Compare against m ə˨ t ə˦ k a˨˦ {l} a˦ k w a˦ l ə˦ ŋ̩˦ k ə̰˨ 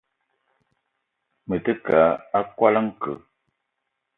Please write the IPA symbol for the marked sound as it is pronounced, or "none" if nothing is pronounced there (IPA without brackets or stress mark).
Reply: none